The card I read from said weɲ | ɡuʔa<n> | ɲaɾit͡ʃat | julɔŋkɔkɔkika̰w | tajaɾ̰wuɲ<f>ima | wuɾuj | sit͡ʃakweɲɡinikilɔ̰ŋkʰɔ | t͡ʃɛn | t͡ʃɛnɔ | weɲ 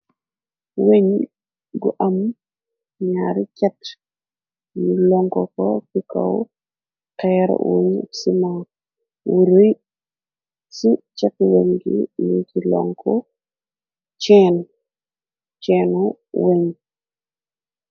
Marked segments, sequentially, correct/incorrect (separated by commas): incorrect, incorrect